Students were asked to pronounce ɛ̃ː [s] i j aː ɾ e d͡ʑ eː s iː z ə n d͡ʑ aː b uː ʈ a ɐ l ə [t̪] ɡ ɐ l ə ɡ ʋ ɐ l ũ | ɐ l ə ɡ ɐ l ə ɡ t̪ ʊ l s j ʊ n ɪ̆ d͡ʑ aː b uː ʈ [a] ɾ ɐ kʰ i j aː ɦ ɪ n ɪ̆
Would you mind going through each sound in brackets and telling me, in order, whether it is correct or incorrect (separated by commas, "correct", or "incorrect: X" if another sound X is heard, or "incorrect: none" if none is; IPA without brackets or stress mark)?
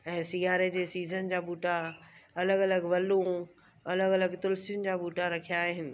correct, incorrect: none, correct